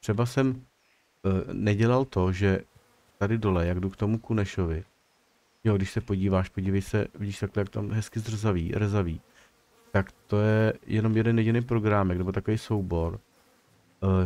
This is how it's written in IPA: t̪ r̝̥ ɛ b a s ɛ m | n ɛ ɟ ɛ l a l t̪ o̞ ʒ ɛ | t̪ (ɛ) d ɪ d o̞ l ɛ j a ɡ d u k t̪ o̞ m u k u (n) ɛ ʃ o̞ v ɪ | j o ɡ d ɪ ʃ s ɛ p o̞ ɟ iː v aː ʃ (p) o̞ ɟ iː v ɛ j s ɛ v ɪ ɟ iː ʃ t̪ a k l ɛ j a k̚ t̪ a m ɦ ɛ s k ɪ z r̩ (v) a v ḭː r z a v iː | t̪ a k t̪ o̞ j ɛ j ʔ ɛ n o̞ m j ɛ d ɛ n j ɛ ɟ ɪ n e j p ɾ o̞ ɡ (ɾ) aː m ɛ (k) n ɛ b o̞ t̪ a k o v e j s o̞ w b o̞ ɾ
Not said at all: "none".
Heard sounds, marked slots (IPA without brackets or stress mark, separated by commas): a, n, p, z, ɾ, k